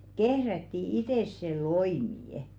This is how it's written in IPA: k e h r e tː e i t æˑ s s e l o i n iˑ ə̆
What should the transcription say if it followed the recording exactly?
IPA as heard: k e h r æ tː i i t eˑ s s e l o i m iˑ ə̆

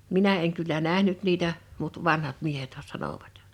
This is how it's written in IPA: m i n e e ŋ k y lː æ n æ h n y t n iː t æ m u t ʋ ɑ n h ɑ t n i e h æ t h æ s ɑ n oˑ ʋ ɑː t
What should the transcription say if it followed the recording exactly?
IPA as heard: m i n æ e ŋ k y lː æ n æ h n y t n iː t æ m u t ʋ ɑ n h ɑ t m i e h e t h æ s ɑ n oˑ ʋ ɑ t

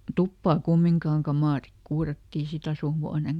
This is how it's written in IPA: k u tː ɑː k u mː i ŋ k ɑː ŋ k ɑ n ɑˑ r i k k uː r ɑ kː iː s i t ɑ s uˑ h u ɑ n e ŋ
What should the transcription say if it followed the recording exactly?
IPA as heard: t u pː ɑː k u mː i ŋ k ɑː ŋ k ɑ m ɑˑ r i k k uː r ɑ tː iː s i t ɑ s uˑ h u ɑ n e ŋ

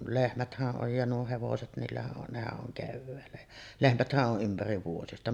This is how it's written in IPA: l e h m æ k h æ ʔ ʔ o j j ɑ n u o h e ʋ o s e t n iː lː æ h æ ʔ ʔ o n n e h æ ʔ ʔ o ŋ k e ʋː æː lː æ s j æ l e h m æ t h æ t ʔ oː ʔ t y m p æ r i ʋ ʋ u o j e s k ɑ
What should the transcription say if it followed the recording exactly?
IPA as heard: l e h m æ t h æ ʔ ʔ o j j ɑ n u o h e ʋ o s e t n iː lː æ h æ ʔ ʔ o n n e h æ ʔ ʔ o ŋ k e ʋː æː lː æ j æ l e h m æ t h æ ʔ ʔ o ʔ ʔ y m p æ r i ʋ ʋ u o j e s t ɑ

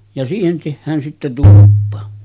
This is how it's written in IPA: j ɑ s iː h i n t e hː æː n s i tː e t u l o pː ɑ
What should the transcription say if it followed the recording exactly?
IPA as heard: j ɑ s iː h e n t e hː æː n s i tː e t u l u pː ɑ

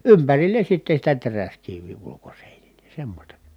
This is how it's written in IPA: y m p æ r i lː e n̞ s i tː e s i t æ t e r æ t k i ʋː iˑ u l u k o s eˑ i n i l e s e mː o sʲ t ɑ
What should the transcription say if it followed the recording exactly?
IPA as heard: y m p æ r i lː e n̞ s i tː e s i t æ t e r æ s k i ʋː iˑ u l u k o s eˑ i n i l e s e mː o sʲ t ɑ

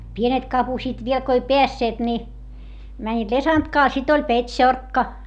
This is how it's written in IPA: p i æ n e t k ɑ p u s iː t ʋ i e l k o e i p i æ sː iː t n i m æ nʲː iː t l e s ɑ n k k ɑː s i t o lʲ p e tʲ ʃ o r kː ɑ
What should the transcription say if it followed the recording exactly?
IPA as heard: p i e n e t k ɑ p u s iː t ʋ i e l k o e i p e æ sː eː t n i m æ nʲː iː t l e s ɑ n t k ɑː s i t o lʲ p e tʲ ʃ o r kː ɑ

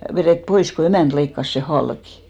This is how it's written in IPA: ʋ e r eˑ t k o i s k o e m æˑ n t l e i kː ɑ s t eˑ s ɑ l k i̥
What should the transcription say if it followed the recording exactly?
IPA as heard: ʋ e r eˑ t p o i s k o e m æˑ n t l e i kː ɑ s s eˑ h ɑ l k i̥

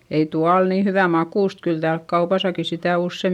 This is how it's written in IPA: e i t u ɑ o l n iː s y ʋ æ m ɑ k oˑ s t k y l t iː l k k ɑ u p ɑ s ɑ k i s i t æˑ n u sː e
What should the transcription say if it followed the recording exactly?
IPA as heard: e i t u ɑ o l n iː h y ʋ æ m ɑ k uˑ s t k y l t æː l k k ɑ u p ɑ s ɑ k i s i t æˑ u sː e

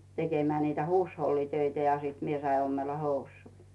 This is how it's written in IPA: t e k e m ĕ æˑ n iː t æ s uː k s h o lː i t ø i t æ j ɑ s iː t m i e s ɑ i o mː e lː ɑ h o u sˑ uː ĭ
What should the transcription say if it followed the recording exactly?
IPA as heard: t e k e m ĕ æˑ n iː t æ h uː s h o lː i t ø i t æ j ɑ s iː t m i e s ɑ i o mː e lː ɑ h o u sˑ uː ĭ

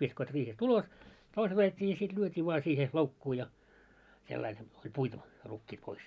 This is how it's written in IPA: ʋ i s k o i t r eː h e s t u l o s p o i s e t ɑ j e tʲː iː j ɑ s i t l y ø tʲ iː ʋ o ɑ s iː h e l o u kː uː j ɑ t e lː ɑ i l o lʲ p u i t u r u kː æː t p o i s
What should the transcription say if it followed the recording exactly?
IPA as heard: ʋ i s k o i t r iː h e s t u l o s t o i s e t ɑ j e tʲː iː j ɑ s i t l y ø tʲ iː ʋ o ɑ s iː h e l o u kː uː j ɑ s e lː ɑ i l o lʲ p u i t u r u kː iː t p o i s

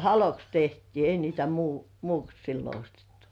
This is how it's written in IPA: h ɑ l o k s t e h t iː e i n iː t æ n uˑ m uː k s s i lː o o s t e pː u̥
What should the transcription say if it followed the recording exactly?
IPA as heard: h ɑ l o k s t e h t iː e i n iː t æ m uˑ m uː k s s i lː o o s t e tː u̥

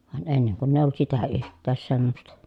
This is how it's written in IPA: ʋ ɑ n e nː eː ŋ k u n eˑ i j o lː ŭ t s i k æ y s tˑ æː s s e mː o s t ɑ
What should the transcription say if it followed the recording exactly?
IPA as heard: ʋ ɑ n e nː e ŋ k u nː eˑ i j o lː ŭ t s i t æ y h tˑ æː s s e mː o s t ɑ

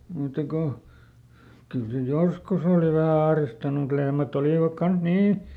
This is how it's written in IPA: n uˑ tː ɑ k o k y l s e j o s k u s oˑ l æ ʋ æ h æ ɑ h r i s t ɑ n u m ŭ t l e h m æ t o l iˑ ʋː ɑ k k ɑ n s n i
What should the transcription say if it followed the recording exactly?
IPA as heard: m uˑ tː ɑ k o k y l s e j o s k u s oˑ l i ʋ æ h æ ɑ h r i s t ɑ n u m ŭ t l e h m æ t o l iˑ ʋ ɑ k k ɑ n s n iː

